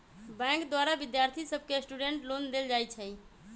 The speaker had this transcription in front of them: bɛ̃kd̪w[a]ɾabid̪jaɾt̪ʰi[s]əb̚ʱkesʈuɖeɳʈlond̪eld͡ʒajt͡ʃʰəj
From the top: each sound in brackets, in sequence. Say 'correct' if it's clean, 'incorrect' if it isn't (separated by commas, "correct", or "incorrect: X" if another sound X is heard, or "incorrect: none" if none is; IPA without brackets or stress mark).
correct, correct